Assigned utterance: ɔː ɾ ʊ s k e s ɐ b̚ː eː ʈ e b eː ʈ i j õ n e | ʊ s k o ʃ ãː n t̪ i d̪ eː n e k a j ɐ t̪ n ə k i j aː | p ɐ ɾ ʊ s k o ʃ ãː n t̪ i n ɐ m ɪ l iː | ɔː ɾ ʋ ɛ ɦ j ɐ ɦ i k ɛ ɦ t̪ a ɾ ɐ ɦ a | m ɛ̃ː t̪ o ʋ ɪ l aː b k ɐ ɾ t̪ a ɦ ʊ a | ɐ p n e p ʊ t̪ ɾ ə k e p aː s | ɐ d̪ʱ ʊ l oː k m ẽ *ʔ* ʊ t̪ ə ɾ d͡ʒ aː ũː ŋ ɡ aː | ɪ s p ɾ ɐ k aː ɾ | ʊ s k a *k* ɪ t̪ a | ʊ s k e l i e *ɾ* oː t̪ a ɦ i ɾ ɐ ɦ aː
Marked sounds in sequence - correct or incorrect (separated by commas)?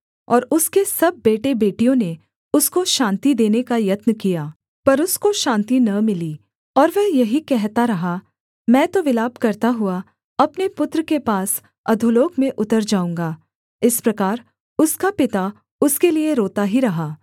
correct, incorrect, correct